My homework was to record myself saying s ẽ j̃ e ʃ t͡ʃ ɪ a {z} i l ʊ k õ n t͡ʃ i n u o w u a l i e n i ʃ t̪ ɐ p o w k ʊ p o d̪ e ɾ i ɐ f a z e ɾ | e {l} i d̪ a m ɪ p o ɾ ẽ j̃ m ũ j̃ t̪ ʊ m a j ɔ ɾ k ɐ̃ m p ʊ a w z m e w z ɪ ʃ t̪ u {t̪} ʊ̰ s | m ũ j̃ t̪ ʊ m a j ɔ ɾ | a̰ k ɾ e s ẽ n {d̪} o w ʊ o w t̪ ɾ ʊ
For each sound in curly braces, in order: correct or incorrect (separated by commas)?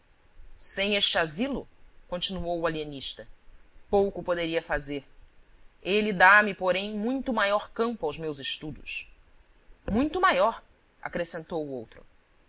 correct, correct, incorrect, incorrect